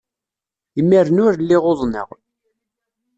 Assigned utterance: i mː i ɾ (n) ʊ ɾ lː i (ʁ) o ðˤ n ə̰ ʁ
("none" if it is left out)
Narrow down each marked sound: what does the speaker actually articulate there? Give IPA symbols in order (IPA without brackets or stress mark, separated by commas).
n, ʁ